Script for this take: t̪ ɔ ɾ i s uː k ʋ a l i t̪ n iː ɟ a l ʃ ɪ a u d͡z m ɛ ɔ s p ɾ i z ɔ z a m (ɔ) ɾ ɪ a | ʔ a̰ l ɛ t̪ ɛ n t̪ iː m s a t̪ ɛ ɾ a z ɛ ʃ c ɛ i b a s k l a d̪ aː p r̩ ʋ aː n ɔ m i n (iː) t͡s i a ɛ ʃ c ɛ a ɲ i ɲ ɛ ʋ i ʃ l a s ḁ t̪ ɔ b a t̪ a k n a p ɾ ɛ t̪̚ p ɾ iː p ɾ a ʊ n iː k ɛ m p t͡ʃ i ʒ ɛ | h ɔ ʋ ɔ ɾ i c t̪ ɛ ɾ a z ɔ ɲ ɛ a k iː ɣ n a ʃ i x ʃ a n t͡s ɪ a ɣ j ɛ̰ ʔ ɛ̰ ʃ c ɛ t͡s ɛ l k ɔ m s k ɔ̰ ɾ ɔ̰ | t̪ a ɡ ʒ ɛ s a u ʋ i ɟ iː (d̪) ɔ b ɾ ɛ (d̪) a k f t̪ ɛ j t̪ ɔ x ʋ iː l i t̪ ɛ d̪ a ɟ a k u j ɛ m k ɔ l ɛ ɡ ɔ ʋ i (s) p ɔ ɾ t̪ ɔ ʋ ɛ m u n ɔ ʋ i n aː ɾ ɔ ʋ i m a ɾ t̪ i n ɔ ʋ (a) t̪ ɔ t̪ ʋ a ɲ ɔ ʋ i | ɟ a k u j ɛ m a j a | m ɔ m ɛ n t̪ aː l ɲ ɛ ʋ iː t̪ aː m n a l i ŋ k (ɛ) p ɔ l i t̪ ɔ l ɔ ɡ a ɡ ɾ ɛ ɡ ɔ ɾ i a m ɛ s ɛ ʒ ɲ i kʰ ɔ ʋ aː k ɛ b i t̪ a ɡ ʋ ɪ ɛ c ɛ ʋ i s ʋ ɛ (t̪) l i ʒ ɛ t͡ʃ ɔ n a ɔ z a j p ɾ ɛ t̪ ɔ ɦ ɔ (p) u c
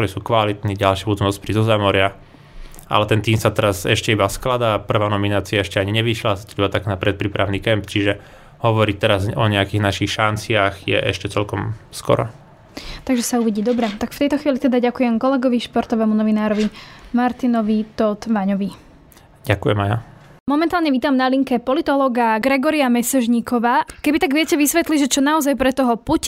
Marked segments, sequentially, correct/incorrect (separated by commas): correct, incorrect, correct, incorrect, incorrect, incorrect, correct, correct, correct